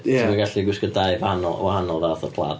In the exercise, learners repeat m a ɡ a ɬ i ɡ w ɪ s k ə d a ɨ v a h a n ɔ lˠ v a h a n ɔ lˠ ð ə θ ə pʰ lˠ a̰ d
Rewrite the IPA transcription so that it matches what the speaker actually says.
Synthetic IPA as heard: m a ɡ a ɬ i ɡ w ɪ s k ə d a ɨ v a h a n ɔ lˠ w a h a n ɔ lˠ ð a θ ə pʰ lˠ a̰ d